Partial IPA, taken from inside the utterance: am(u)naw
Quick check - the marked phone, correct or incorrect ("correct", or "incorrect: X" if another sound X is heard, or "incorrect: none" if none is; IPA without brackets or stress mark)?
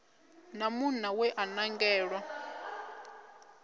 correct